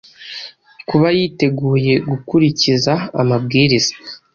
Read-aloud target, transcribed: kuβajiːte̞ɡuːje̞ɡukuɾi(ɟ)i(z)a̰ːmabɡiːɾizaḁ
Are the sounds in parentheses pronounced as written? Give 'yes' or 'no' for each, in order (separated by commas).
no, yes